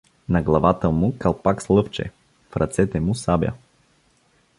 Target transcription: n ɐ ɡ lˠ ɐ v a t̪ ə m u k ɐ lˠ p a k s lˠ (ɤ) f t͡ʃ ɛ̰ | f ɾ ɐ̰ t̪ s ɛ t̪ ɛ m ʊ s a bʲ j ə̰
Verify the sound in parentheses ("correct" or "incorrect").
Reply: correct